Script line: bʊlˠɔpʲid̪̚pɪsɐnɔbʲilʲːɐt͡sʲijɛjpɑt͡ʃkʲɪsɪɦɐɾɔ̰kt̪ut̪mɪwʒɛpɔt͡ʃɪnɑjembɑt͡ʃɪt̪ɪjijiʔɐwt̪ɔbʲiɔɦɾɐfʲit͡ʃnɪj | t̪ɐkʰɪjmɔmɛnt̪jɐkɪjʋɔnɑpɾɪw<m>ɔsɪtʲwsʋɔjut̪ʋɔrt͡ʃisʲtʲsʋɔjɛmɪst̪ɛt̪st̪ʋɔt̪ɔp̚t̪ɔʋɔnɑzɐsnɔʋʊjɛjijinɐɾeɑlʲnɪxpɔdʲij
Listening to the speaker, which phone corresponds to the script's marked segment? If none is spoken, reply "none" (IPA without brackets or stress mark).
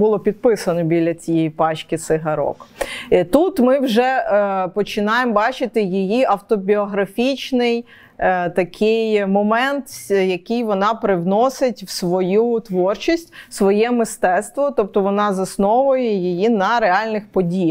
n